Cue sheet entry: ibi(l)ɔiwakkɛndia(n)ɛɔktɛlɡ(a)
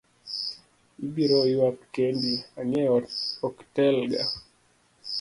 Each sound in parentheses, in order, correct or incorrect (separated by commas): incorrect, incorrect, correct